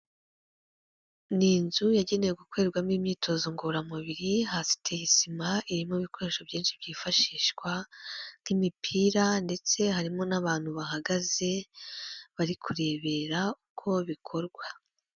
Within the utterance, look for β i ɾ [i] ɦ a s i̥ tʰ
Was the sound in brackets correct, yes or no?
yes